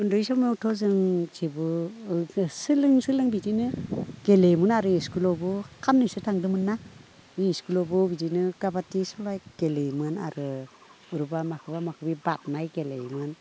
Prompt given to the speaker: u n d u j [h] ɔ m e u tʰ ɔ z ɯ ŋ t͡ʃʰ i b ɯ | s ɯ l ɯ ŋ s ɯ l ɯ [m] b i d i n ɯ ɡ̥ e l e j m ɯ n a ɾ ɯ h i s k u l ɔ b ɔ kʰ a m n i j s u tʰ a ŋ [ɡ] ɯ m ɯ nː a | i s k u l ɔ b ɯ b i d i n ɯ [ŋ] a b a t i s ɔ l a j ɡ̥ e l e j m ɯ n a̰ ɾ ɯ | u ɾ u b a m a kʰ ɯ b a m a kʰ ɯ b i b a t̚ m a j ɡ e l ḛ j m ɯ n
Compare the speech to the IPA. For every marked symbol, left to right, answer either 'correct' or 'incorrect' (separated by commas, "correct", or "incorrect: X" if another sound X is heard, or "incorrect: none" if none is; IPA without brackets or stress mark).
incorrect: s, incorrect: ŋ, incorrect: d, incorrect: ɡ